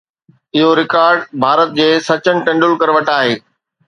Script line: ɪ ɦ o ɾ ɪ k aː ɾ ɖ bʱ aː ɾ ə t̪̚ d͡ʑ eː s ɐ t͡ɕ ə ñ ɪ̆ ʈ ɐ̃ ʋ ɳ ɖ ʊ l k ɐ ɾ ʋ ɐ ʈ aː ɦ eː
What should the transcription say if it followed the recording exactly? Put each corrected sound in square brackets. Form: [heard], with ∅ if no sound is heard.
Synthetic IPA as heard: ɪ ɦ o ɾ ɪ k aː ɾ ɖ bʱ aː ɾ ə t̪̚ d͡ʑ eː s ɐ t͡ɕ ə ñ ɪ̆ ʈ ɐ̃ [∅] ɳ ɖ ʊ l k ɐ ɾ ʋ ɐ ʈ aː ɦ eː